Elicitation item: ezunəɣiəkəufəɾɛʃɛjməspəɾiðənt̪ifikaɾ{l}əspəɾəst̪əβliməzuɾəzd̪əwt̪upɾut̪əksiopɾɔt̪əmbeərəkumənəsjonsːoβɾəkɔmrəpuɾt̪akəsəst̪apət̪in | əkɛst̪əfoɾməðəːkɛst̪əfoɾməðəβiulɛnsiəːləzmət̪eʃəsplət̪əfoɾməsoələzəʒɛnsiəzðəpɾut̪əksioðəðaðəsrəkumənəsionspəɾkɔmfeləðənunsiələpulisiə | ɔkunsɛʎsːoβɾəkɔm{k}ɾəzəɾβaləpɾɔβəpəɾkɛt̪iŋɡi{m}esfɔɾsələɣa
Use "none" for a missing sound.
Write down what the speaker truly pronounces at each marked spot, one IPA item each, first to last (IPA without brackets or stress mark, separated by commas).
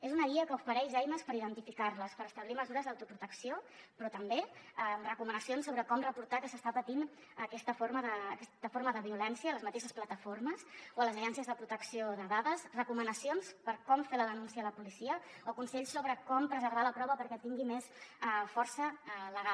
l, p, m